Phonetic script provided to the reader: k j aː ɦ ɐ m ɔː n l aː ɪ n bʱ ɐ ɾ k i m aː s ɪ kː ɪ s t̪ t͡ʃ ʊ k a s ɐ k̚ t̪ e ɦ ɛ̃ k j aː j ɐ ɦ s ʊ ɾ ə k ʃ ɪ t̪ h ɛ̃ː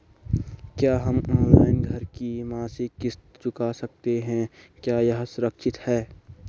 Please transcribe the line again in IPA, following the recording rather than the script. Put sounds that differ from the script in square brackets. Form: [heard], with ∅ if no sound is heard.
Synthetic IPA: k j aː ɦ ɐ m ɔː n l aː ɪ n [ɡʱ] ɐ ɾ k i m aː s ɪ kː ɪ s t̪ t͡ʃ ʊ k a s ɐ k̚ t̪ e ɦ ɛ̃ k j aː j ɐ ɦ s ʊ ɾ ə k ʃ ɪ t̪ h [ɛː]